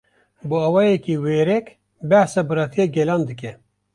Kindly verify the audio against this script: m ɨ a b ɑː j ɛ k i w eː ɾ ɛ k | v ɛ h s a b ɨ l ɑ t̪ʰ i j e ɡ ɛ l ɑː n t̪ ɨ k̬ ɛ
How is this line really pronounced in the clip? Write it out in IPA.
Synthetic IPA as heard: b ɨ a w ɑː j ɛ k i w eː ɾ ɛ k | b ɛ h s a b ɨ ɾ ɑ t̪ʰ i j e ɡ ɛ l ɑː n d̪ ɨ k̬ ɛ